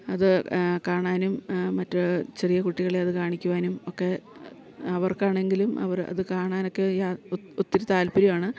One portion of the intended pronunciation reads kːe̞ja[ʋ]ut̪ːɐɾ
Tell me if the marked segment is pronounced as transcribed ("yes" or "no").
no